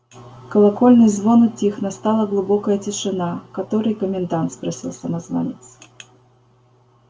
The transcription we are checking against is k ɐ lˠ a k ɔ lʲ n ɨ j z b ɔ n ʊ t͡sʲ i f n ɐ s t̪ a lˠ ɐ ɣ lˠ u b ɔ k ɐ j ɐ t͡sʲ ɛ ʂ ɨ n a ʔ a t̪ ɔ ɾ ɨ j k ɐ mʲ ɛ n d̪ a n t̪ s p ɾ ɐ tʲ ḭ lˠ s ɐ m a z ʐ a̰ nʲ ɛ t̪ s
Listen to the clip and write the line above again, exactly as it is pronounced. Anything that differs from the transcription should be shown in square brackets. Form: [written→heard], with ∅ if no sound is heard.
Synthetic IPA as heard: k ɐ lˠ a k ɔ lʲ n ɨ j z [b→v] ɔ n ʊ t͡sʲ i [f→x] n ɐ s t̪ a lˠ ɐ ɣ lˠ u b ɔ k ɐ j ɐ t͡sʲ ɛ ʂ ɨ n a [ʔ→k] a t̪ ɔ ɾ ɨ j k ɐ mʲ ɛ n d̪ a n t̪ s p ɾ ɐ [tʲ→sʲ] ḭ lˠ s ɐ m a z [ʐ→v] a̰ nʲ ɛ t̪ s

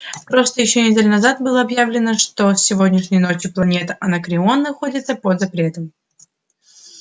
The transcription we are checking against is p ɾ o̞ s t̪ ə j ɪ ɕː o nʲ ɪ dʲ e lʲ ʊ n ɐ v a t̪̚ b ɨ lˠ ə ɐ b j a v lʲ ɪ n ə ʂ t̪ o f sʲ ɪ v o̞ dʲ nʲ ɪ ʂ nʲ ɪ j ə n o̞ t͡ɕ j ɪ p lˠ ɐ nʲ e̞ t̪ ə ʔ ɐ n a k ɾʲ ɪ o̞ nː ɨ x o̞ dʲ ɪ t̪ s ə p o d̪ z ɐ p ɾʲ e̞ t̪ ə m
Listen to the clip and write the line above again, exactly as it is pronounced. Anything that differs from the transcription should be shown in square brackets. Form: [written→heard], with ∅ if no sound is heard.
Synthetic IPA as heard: p ɾ o̞ s t̪ ə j ɪ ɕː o nʲ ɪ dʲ e lʲ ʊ n ɐ [v→z] a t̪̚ b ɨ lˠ ə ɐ b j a v lʲ ɪ n ə ʂ t̪ o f sʲ ɪ v o̞ dʲ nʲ ɪ ʂ nʲ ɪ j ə n o̞ t͡ɕ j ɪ p lˠ ɐ nʲ e̞ t̪ ə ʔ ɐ n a k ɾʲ ɪ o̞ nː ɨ x o̞ dʲ ɪ t̪ s ə p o d̪ z ɐ p ɾʲ e̞ t̪ ə m

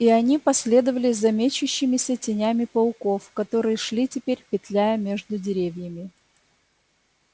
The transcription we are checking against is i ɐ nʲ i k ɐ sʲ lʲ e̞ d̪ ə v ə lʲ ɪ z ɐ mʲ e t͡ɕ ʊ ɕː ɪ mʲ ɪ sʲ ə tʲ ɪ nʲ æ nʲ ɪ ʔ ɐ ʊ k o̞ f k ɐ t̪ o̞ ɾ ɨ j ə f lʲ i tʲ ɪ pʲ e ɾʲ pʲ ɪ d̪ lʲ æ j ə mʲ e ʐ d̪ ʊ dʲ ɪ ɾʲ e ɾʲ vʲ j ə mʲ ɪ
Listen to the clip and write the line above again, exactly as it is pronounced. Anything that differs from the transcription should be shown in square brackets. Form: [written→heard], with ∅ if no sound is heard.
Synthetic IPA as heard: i ɐ nʲ i [k→p] ɐ sʲ lʲ e̞ d̪ ə v ə lʲ ɪ z ɐ mʲ e t͡ɕ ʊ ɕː ɪ mʲ ɪ sʲ ə tʲ ɪ nʲ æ [nʲ→mʲ] ɪ [ʔ→p] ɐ ʊ k o̞ f k ɐ t̪ o̞ ɾ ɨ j ə [f→ʂ] lʲ i tʲ ɪ pʲ e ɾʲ pʲ ɪ [d̪→t̪] lʲ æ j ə mʲ e ʐ d̪ ʊ dʲ ɪ ɾʲ e [ɾʲ→∅] vʲ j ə mʲ ɪ

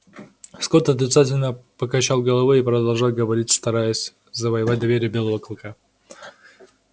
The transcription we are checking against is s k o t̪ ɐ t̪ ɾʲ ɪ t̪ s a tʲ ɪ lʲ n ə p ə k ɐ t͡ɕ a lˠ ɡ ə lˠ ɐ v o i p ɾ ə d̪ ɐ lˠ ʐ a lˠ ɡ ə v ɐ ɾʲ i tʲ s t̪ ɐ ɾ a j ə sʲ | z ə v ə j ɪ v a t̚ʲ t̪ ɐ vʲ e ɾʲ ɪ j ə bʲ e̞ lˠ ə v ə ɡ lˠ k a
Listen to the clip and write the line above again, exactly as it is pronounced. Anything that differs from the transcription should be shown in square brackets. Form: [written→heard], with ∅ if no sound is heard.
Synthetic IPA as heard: s k o t̪ ɐ t̪ ɾʲ ɪ t̪ s a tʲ ɪ lʲ n ə p ə k ɐ t͡ɕ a lˠ ɡ ə lˠ ɐ v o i p ɾ ə d̪ ɐ lˠ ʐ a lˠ ɡ ə v ɐ ɾʲ i tʲ s t̪ ɐ ɾ a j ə sʲ | z ə v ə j ɪ v a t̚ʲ [t̪→d̪] ɐ vʲ e ɾʲ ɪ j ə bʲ e̞ lˠ ə v ə [ɡ→k] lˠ k a

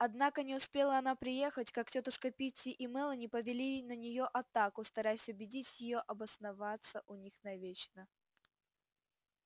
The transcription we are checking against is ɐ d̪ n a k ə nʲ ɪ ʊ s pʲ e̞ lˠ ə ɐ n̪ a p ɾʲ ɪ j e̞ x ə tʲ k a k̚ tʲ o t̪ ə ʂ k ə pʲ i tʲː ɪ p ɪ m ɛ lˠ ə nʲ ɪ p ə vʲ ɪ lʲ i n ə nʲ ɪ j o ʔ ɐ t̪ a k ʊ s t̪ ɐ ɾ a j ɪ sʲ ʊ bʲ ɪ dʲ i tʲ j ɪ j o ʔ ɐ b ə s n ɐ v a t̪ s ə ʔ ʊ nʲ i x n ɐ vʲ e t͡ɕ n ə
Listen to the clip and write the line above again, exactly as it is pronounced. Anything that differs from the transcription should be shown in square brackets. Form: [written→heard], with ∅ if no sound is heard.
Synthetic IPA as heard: ɐ d̪ n a k ə nʲ ɪ ʊ s pʲ e̞ lˠ ə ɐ n̪ a p ɾʲ ɪ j e̞ x ə tʲ k a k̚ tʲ o t̪ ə ʂ k ə pʲ i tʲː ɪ [p→ʔ] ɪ m ɛ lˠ ə nʲ ɪ p ə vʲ ɪ lʲ i n ə nʲ ɪ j o ʔ ɐ t̪ a k ʊ s t̪ ɐ ɾ a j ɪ sʲ ʊ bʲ ɪ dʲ i tʲ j ɪ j o ʔ ɐ b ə s n ɐ v a t̪ s ə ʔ ʊ nʲ i x n ɐ vʲ e t͡ɕ n ə

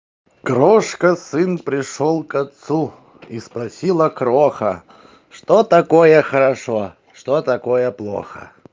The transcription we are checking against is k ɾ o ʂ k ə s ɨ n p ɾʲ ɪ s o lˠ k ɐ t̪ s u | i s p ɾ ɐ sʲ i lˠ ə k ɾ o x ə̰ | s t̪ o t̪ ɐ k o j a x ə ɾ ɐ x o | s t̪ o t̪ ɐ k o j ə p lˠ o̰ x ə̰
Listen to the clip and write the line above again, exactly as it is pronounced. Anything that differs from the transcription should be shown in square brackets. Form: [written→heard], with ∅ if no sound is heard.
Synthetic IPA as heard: k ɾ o ʂ k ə s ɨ n p ɾʲ ɪ [s→ʂ] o lˠ k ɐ t̪ s u | i s p ɾ ɐ sʲ i lˠ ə k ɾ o x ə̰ | [s→ʂ] t̪ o t̪ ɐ k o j [a→ə] x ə ɾ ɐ [x→ʂ] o | [s→ʂ] t̪ o t̪ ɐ k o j ə p lˠ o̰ x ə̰

